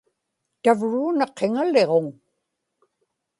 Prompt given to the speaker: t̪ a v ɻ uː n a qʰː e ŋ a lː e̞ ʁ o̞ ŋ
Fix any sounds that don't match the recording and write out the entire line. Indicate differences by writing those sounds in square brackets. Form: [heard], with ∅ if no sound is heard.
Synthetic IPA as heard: t̪ a v ɻ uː n [ɑ] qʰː e ŋ a [l] e̞ ʁ o̞ ŋ